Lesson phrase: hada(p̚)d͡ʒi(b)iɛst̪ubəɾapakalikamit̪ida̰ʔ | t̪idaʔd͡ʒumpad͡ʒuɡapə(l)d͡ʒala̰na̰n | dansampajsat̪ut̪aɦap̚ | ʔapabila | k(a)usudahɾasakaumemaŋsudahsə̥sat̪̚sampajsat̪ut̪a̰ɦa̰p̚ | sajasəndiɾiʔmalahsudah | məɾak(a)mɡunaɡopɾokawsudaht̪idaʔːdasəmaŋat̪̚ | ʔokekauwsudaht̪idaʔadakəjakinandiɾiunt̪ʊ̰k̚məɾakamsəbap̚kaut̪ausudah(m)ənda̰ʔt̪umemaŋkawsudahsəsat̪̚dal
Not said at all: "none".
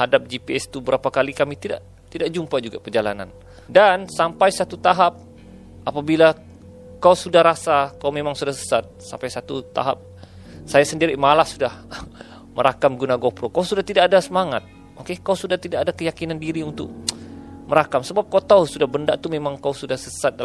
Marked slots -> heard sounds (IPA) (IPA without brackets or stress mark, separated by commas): p̚, p, r, a, a, b